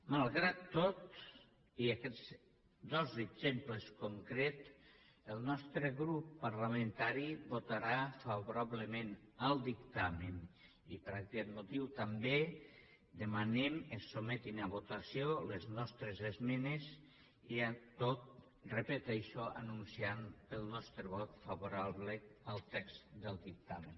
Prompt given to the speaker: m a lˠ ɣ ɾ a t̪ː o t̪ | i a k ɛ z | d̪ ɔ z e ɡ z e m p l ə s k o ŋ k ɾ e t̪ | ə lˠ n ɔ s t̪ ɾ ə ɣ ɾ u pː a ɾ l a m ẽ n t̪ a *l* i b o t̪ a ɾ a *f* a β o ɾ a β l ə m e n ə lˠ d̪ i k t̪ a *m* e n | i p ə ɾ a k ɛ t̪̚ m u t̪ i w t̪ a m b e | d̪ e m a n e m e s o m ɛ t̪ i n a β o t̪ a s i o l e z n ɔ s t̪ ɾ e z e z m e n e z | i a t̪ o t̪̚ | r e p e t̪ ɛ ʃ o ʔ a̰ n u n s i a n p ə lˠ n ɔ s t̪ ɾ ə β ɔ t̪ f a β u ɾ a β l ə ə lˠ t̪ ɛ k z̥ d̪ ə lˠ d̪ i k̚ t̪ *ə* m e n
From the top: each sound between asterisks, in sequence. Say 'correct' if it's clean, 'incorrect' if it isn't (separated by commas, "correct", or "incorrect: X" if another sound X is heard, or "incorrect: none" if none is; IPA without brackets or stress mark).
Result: incorrect: ɾ, correct, correct, incorrect: a